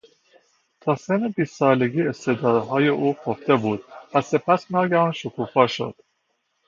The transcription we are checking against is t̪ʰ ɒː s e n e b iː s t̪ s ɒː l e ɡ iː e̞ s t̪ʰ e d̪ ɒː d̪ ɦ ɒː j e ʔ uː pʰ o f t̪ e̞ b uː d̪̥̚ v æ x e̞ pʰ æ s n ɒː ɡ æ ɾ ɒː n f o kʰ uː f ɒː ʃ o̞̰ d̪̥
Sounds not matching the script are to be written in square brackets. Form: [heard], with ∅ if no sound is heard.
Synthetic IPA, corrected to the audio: t̪ʰ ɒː s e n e b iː s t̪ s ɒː l e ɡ iː e̞ s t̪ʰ e d̪ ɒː d̪ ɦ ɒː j e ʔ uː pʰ o f t̪ e̞ b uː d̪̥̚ v æ [s] e̞ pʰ æ s n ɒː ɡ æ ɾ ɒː n [ʃ] o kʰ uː f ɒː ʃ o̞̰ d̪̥